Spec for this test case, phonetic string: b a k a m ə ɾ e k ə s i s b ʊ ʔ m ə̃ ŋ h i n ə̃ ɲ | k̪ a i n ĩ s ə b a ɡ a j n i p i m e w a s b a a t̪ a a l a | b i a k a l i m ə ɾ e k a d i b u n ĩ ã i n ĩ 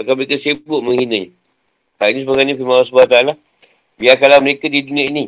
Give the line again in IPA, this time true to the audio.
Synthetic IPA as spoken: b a k a m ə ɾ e k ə s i b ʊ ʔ m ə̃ ŋ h i n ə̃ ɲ | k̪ a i n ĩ s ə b a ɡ a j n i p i m a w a s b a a t̪ a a l a | b i a k a l a m ə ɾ e k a d i d u n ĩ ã i n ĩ